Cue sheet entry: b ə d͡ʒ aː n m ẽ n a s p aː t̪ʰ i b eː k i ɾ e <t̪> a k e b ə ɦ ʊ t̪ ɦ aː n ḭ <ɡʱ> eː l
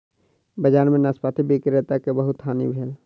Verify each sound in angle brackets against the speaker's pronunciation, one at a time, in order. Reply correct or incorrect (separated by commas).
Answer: correct, incorrect